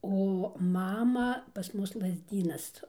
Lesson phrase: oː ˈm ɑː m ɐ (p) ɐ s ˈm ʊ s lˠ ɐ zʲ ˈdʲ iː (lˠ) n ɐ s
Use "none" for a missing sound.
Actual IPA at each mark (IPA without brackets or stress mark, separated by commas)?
p, none